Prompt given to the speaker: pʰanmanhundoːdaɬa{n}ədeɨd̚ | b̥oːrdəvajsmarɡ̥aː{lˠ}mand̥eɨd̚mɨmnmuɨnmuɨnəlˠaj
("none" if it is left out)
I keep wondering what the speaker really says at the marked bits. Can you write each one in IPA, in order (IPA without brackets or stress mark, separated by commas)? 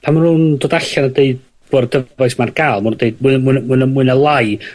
n, lˠ